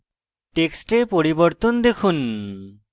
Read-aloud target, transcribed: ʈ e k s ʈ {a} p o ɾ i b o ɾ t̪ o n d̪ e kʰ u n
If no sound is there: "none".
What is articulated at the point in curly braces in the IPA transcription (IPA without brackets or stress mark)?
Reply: e